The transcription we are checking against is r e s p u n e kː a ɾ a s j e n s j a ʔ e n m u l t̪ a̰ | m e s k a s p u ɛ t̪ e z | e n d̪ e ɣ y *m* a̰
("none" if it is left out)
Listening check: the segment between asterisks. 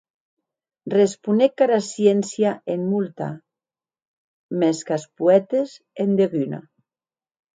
n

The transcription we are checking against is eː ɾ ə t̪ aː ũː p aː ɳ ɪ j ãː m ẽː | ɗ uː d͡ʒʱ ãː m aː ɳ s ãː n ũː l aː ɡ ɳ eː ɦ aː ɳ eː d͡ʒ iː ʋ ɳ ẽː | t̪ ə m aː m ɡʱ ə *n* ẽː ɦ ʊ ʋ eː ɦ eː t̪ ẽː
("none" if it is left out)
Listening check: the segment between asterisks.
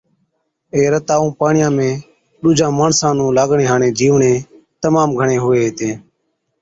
ɳ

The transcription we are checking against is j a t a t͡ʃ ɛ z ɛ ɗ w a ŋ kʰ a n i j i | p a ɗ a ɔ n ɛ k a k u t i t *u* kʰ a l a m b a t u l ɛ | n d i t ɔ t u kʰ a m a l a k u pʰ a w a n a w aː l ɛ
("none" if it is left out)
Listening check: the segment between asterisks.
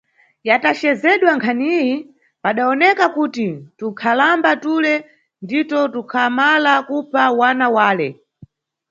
u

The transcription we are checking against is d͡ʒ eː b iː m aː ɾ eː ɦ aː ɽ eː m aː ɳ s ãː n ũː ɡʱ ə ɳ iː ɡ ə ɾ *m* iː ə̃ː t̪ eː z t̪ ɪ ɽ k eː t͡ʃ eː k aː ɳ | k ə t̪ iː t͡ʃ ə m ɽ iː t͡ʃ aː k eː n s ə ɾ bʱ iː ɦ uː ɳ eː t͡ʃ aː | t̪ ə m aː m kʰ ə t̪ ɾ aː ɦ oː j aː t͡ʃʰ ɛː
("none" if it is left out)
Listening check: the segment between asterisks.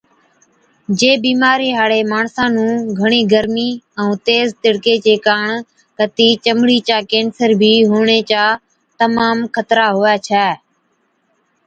m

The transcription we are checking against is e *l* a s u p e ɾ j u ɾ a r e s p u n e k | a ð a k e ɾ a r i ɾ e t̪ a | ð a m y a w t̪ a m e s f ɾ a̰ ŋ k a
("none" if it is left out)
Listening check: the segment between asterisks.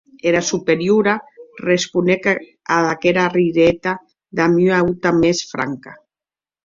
ɾ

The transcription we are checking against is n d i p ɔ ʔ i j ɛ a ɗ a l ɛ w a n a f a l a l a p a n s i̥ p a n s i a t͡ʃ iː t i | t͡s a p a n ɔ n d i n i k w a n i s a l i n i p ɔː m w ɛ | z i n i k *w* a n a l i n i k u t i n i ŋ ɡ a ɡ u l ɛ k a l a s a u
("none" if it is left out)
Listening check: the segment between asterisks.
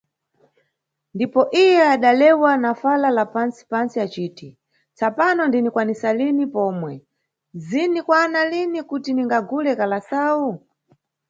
w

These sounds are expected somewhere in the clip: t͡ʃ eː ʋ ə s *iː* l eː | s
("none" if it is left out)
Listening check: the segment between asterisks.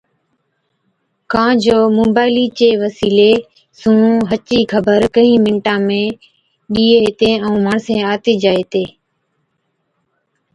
iː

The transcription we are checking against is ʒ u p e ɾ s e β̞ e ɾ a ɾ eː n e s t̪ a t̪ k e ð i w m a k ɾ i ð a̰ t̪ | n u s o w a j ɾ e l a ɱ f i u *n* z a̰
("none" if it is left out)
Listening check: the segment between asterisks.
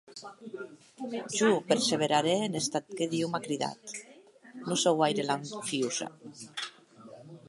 none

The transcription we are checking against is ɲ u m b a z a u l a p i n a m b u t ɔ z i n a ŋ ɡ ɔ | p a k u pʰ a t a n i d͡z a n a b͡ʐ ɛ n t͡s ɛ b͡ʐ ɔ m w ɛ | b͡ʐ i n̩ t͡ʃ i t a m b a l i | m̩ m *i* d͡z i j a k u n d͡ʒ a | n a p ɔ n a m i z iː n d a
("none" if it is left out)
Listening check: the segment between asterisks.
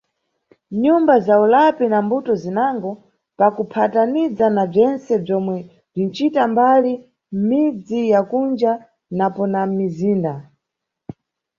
i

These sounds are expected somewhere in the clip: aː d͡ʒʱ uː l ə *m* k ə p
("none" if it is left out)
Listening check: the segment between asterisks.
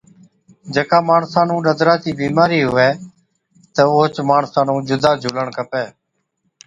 ɳ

